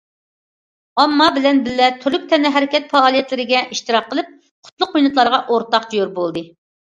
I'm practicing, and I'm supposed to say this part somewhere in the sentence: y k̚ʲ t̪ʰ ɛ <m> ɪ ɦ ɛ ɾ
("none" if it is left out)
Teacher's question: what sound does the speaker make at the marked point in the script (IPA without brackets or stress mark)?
n